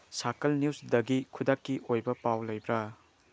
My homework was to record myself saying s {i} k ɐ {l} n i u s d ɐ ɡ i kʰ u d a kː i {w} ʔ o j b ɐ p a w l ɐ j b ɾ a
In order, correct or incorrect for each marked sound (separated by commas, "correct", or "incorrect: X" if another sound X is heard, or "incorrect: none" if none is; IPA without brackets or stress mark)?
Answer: incorrect: a, correct, incorrect: none